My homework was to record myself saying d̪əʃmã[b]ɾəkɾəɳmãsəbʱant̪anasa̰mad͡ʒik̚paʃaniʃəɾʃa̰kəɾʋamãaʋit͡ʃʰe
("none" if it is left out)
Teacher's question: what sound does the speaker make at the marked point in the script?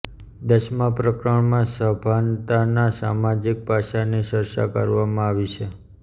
p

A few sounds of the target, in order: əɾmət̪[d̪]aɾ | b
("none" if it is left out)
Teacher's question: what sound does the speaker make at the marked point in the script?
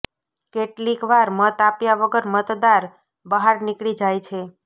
d̪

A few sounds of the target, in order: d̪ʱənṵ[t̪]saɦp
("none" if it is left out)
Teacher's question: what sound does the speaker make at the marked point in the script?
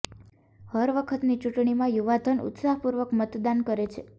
t̪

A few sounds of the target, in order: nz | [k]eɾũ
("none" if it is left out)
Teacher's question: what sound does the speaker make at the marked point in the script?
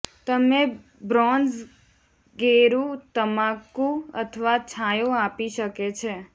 ɡ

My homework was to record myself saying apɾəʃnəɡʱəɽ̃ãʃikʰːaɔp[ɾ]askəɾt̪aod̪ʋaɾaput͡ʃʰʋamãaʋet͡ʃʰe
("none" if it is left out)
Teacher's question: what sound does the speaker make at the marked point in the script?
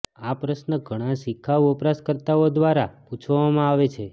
ɾ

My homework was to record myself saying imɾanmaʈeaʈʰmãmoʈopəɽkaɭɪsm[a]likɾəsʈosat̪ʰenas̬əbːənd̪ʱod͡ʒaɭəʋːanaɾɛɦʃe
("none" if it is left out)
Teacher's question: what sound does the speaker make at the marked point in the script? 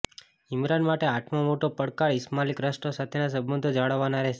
a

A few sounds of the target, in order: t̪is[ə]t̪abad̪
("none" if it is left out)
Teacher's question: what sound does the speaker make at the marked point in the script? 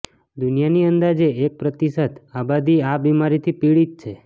ə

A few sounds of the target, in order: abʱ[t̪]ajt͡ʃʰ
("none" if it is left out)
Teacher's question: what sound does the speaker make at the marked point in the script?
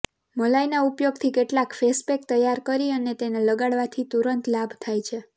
t̪ʰ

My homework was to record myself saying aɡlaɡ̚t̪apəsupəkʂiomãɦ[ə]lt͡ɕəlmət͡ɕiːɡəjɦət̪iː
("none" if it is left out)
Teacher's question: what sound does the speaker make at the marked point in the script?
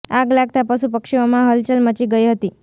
ə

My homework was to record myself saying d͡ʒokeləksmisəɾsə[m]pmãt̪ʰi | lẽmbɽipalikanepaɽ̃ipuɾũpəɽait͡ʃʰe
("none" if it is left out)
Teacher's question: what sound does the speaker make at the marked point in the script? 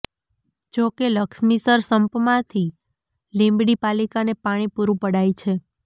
m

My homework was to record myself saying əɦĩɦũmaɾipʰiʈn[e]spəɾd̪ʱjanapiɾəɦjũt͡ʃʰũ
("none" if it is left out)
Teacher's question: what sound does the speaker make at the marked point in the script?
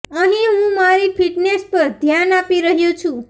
e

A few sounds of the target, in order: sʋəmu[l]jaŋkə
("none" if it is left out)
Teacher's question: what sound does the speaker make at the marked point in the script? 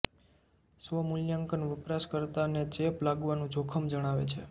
l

